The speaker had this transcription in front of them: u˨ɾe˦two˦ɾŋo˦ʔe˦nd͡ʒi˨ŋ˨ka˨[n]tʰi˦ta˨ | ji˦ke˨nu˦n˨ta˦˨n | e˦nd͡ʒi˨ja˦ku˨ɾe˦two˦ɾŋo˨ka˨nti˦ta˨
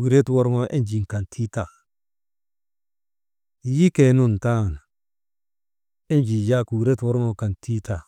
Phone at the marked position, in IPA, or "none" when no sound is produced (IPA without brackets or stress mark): n